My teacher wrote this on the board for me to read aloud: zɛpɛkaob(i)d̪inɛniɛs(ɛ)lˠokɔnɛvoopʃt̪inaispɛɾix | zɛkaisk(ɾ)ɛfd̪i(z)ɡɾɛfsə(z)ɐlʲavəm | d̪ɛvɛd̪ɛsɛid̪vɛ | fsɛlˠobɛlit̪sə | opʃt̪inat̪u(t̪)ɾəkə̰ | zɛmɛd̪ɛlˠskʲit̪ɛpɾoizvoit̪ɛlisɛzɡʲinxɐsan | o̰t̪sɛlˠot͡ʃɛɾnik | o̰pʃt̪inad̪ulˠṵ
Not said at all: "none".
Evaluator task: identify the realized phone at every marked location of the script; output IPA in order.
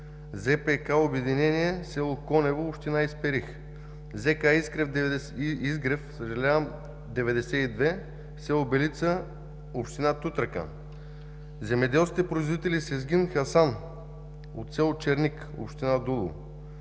ɛ, ɛ, ɾ, z, ʒ, t̪

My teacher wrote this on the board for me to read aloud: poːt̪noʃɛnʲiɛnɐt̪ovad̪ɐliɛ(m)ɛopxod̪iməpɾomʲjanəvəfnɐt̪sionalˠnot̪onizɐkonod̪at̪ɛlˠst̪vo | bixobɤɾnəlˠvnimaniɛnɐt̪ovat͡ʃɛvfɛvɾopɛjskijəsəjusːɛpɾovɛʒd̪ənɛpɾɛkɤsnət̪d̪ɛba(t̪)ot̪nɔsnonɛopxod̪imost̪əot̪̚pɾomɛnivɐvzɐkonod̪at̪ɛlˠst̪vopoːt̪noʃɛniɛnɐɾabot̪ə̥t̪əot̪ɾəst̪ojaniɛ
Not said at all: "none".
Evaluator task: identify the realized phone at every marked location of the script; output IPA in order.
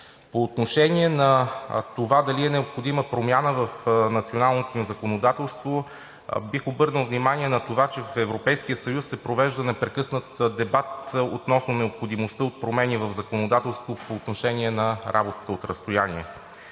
n, t̪

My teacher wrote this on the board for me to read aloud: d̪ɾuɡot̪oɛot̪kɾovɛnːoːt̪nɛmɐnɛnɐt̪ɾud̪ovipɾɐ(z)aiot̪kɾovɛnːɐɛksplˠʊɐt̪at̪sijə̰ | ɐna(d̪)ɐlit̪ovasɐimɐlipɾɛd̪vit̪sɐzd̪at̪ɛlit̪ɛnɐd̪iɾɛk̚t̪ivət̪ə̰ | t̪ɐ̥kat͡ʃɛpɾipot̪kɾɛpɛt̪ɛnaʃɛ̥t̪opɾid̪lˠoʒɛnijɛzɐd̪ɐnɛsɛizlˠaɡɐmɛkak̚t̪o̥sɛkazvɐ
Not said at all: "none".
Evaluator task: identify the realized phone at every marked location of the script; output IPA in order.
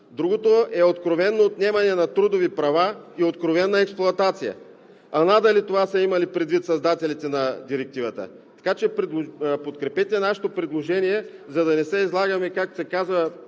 v, d̪

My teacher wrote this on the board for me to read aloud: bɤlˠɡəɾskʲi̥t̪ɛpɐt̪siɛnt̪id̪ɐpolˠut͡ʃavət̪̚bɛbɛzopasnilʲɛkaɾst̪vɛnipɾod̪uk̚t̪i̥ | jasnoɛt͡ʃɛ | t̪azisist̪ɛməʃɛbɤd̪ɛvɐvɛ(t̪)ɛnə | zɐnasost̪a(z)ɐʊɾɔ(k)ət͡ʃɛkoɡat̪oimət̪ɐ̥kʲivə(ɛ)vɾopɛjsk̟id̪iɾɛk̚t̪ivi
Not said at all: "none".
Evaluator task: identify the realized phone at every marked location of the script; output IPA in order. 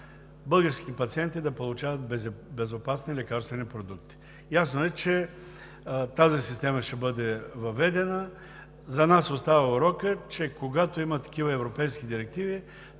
d̪, v, k, ɛ

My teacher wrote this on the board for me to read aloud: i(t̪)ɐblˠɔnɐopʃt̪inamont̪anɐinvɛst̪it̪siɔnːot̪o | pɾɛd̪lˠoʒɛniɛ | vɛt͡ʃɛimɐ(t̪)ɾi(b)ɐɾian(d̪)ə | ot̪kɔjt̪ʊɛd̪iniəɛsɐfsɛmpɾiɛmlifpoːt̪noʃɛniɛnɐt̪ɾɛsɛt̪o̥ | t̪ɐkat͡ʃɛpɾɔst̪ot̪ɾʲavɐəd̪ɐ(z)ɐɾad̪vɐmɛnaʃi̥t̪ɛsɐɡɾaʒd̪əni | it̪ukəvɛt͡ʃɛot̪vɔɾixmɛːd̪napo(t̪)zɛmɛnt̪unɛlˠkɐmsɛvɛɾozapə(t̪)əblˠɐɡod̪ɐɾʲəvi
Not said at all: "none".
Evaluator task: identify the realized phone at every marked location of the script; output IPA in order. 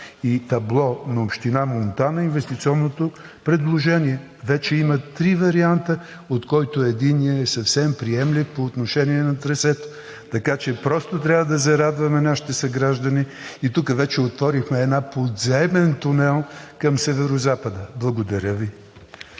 t̪, t̪, v, t̪, z, d̪, d̪

